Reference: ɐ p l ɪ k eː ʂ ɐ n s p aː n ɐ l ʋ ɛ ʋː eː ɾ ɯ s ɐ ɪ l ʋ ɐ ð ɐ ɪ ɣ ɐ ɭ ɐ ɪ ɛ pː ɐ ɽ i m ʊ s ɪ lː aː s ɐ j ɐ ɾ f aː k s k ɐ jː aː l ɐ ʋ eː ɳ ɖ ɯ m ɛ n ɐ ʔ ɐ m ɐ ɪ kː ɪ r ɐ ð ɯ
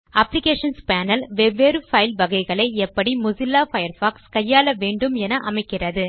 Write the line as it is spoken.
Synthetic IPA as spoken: ɐ p l ɪ k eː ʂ ɐ n s p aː n ɐ l ʋ ɛ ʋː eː ɾ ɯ f ɐ ɪ l ʋ ɐ ɣ ɐ ɪ ɣ ɐ ɭ ɐ ɪ ɛ pː ɐ ɽ i m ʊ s ɪ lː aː f ɐ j ɐ ɾ f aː k s k ɐ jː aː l ɐ ʋ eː ɳ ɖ ɯ m ɛ n ɐ ʔ ɐ m ɐ ɪ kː ɪ r ɐ ð ɯ

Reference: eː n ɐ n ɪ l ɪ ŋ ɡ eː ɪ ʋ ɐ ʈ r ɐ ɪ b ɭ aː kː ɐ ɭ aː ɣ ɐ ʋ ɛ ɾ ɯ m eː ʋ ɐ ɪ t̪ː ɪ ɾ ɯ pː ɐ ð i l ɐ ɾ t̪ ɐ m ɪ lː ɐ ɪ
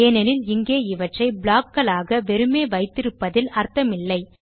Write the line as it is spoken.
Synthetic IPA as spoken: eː n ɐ n ɪ l ɪ ŋ ɡ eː ɪ ʋ ɐ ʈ r ɐ ɪ b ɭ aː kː ɐ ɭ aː ɣ ɐ ʋ ɛ ɾ ɯ m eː ʋ ɐ ɪ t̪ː ɪ ɾ ɯ pː ɐ ð ɪ l ɐ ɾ t̪ ɐ m ɪ lː ɐ ɪ

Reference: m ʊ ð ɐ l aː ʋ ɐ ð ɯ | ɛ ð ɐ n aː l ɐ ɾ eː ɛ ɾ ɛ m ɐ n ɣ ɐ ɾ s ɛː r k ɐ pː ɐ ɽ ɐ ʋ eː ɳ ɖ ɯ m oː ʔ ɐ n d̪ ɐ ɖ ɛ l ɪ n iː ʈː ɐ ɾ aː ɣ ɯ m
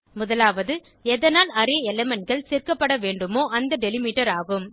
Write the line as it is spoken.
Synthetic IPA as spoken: m ʊ ð ɐ l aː ʋ ɐ ð ɯ | ɛ ð ɐ n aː l ɐ ɾ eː ɛ l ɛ m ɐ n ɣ ɐ ɭ s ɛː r k ɐ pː ɐ ɽ ɐ ʋ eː ɳ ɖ ɯ m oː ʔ ɐ n d̪ ɐ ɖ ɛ l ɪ m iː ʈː ɐ ɾ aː ɣ ɯ m

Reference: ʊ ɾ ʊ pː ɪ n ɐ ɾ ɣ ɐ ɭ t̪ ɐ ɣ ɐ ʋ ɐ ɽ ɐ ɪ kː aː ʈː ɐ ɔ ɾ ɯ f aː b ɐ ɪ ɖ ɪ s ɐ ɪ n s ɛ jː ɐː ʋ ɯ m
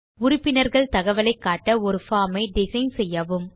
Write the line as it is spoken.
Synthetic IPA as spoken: ʊ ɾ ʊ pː ɪ n ɐ ɾ ɣ ɐ ɭ t̪ ɐ ɣ ɐ ʋ ɐ l ɐ ɪ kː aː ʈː ɐ ɔ ɾ ɯ f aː m ɐ ɪ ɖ ɪ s ɐ ɪ n s ɛ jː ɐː ʋ ɯ m

